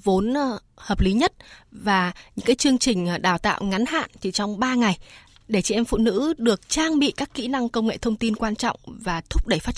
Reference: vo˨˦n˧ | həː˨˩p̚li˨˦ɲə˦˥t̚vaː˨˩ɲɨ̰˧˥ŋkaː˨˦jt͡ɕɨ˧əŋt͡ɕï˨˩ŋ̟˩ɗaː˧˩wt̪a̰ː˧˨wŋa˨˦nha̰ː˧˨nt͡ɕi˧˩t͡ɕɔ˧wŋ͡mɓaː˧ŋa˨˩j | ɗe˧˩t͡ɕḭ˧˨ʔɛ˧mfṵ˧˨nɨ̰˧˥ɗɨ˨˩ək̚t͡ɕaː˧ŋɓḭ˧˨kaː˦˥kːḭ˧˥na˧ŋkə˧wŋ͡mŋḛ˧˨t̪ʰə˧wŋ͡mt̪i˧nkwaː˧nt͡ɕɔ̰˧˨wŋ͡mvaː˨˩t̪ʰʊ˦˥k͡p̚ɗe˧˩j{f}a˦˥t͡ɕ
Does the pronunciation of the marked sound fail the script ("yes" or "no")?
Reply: no